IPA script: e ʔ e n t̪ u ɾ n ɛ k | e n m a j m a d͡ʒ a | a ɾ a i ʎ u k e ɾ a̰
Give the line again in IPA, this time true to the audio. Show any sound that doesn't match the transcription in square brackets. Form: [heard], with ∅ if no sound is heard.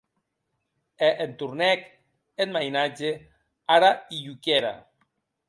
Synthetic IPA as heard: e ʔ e n t̪ u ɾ n ɛ k | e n m a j [n] a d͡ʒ [e] | a ɾ a i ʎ u k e ɾ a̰